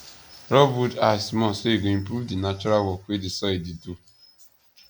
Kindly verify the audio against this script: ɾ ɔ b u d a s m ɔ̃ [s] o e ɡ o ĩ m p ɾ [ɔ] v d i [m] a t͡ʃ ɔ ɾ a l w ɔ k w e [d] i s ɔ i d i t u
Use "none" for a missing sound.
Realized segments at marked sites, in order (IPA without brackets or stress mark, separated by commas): s, u, n, d